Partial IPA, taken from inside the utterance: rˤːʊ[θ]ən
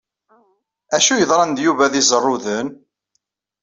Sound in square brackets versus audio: incorrect: ð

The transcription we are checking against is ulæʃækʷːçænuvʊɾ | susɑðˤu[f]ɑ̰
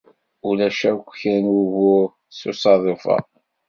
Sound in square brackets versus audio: correct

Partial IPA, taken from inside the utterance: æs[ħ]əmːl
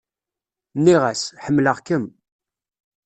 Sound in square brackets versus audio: correct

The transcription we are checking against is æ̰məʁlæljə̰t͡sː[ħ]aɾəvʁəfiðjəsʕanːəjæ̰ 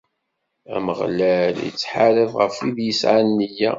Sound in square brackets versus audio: correct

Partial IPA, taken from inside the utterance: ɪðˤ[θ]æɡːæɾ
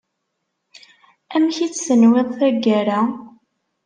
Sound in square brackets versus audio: correct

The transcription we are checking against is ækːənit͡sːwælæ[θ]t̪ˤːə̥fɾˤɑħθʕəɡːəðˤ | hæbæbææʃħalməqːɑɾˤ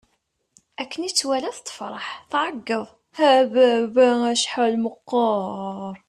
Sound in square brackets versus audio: correct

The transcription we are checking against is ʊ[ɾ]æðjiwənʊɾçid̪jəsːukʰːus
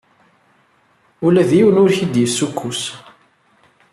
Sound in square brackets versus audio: incorrect: l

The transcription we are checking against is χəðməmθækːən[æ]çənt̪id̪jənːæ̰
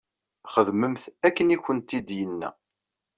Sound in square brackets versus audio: incorrect: i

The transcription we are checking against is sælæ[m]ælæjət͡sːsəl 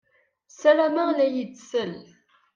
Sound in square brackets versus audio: correct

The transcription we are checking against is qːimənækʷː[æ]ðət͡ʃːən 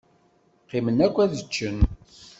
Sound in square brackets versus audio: correct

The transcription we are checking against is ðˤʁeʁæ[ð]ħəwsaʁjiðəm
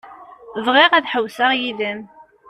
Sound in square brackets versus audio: correct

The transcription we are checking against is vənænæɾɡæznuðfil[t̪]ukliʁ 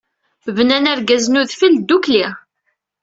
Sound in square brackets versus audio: incorrect: d̪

